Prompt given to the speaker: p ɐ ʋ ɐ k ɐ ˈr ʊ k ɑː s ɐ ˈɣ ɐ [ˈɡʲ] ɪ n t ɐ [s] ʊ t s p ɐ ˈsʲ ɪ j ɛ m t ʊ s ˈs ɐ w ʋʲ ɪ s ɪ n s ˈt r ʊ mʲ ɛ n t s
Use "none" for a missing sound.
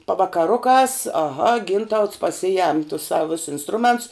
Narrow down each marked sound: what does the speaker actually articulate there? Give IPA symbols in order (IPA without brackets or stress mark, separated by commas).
ɡʲ, none